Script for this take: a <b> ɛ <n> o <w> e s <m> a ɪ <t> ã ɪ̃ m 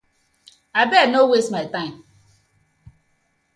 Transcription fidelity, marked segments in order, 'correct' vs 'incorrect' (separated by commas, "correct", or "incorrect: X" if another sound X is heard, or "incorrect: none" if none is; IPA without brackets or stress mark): correct, correct, correct, correct, correct